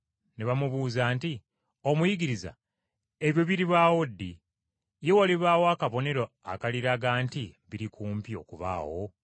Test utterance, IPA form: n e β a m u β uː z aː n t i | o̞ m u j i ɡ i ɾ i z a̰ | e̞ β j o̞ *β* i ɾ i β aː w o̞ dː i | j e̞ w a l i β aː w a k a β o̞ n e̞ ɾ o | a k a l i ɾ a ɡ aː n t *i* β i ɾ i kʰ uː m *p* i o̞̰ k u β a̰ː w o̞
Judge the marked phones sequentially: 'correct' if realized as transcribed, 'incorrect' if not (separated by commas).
correct, correct, correct